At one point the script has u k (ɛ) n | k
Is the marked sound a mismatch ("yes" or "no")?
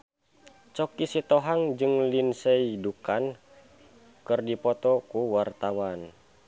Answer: yes